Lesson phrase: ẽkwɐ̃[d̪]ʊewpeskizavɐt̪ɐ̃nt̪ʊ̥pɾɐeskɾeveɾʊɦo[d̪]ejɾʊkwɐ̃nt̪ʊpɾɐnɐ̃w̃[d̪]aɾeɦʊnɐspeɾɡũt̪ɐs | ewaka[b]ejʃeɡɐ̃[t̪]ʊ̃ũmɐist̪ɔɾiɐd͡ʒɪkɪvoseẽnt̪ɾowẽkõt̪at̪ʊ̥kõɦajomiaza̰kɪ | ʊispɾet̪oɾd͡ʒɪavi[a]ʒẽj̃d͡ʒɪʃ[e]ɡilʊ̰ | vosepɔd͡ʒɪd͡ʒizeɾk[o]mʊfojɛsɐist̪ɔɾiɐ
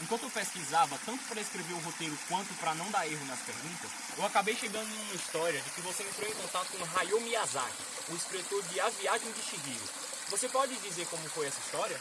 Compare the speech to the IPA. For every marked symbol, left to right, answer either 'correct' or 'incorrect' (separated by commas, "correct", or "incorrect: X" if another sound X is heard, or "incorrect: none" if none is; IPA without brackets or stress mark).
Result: incorrect: t̪, incorrect: t̪, correct, correct, incorrect: d̪, correct, incorrect: i, incorrect: õ